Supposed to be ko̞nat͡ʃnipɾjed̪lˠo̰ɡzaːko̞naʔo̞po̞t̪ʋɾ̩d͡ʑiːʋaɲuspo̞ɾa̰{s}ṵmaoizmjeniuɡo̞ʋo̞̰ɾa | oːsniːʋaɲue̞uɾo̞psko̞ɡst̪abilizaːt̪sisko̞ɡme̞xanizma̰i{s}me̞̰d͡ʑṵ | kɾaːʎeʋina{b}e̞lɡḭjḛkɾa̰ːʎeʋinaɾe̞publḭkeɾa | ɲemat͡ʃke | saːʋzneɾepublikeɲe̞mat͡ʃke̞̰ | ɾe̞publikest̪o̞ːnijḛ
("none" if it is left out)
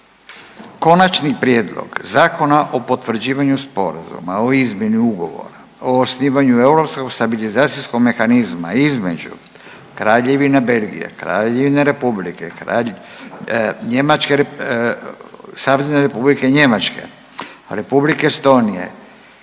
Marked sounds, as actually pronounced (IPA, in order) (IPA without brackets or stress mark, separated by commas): z, z, b